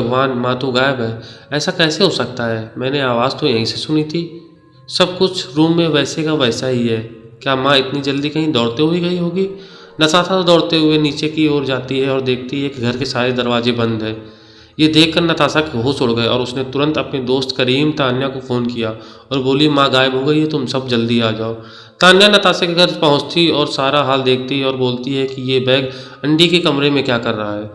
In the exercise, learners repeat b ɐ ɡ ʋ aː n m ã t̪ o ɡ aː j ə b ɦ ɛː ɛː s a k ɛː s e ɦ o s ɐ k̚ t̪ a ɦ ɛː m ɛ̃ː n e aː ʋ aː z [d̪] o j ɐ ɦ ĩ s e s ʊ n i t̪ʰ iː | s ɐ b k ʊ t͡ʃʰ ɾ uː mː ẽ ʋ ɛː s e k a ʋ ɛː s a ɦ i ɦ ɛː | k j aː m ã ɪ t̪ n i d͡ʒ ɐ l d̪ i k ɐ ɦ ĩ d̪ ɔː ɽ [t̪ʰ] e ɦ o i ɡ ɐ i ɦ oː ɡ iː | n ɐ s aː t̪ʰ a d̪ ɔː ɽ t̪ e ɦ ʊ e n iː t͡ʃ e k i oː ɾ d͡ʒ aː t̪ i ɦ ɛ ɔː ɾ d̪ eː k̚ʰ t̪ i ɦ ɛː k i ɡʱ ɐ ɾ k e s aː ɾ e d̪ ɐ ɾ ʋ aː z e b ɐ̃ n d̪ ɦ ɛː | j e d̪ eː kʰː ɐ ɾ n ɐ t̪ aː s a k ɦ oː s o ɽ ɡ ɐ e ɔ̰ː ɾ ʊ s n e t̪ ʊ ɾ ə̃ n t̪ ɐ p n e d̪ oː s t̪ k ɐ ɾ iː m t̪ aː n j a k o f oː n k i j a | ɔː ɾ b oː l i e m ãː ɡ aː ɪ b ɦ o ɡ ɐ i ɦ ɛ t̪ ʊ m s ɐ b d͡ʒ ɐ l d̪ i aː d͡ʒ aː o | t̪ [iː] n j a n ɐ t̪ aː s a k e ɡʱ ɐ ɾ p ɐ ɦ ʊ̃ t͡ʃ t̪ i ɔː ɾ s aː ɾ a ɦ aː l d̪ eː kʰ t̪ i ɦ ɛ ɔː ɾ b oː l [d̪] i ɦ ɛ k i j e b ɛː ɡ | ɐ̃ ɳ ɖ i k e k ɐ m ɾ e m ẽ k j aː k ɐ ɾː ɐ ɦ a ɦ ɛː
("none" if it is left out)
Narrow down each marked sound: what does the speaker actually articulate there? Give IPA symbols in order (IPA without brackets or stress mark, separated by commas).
t̪, t̪, aː, t̪